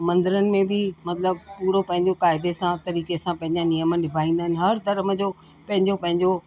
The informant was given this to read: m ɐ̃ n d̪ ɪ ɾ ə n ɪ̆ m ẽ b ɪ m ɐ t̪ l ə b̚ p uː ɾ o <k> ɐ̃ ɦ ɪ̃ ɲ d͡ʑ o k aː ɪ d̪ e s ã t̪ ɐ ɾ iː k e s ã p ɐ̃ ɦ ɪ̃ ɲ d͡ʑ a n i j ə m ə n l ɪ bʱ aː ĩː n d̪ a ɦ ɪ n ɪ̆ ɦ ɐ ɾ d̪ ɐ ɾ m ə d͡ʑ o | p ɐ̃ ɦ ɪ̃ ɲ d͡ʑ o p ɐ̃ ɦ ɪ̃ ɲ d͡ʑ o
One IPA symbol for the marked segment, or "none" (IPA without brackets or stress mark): p